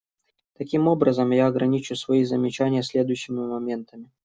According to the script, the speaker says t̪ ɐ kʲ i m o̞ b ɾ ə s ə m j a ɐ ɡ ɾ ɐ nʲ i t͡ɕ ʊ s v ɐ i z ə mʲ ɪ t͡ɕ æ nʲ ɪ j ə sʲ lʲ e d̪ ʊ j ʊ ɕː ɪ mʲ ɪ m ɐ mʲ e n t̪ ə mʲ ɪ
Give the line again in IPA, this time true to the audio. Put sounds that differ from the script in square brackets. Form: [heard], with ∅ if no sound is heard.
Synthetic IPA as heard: t̪ ɐ kʲ i m o̞ b ɾ ə [z] ə m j a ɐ ɡ ɾ ɐ nʲ i t͡ɕ ʊ s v ɐ i z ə mʲ ɪ t͡ɕ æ nʲ ɪ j ə sʲ lʲ e d̪ ʊ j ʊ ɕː ɪ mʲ ɪ m ɐ mʲ e n t̪ ə mʲ ɪ